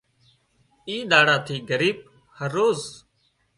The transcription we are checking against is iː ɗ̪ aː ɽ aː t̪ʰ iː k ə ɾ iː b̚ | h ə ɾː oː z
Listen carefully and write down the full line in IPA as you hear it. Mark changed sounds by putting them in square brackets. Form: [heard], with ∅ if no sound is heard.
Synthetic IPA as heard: iː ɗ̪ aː ɽ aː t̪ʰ iː [ɡ] ə ɾ iː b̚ | h ə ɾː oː z